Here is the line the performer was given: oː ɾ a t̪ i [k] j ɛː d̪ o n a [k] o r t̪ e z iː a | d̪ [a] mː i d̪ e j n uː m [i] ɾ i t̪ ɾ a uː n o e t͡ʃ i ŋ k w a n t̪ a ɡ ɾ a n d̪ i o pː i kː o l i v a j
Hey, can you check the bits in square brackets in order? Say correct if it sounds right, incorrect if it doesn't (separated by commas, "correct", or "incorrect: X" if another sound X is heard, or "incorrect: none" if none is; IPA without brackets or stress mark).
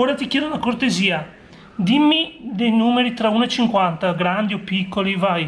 correct, correct, incorrect: i, incorrect: e